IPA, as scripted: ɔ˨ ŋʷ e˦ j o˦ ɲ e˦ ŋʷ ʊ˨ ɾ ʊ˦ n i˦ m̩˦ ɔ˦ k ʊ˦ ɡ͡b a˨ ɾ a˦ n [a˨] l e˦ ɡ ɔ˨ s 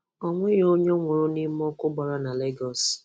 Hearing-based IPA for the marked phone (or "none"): a˨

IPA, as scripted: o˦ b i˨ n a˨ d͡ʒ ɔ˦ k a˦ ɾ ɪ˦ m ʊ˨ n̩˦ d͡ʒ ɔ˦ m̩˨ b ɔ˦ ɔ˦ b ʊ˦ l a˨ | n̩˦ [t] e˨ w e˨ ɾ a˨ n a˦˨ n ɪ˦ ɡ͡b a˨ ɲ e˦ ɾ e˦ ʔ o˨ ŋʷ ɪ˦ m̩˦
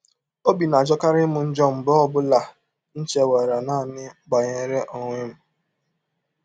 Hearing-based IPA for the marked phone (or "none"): t͡ʃ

